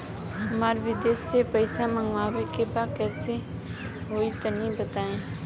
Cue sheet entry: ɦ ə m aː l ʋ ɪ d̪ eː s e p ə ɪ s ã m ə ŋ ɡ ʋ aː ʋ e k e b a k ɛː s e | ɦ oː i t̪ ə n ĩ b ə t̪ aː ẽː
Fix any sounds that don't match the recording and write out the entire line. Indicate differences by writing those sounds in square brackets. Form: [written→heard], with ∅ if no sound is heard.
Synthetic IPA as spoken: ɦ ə m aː [l→ɾ] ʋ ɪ d̪ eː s e p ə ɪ s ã m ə ŋ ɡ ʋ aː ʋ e k e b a k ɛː s e | ɦ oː i t̪ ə n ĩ b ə t̪ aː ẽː